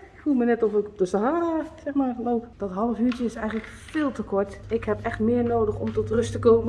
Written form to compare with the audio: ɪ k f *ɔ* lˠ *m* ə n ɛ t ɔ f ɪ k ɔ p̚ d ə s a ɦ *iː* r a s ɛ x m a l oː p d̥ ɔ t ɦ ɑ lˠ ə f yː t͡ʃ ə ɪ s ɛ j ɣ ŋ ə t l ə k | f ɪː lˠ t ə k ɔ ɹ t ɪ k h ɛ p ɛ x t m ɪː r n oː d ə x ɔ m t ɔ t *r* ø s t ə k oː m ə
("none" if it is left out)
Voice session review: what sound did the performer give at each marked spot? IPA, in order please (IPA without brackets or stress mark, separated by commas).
u, m, aː, r